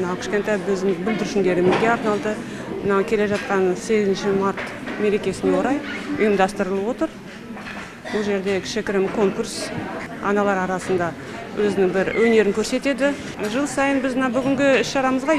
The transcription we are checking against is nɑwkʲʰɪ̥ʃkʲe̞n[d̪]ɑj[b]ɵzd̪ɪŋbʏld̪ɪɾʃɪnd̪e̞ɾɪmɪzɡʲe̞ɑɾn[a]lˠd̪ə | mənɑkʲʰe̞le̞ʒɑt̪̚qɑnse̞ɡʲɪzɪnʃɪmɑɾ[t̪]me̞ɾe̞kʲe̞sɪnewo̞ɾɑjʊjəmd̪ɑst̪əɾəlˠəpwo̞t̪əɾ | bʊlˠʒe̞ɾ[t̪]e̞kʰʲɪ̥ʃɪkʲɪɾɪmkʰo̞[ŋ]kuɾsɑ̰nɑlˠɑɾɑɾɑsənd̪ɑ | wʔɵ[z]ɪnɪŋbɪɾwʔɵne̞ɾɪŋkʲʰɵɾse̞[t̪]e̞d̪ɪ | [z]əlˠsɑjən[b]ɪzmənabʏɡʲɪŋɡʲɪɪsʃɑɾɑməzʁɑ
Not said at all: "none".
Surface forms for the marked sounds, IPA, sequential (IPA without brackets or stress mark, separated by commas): t̪, b, ɑ, t̪, d̪, ŋ, z, t̪, ʒ, b